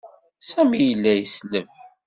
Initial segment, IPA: s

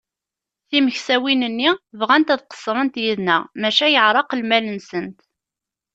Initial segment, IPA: θ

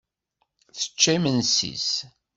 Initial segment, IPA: θ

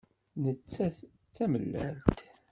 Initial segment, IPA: n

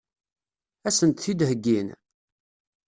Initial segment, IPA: æ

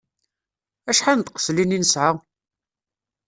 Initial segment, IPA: æ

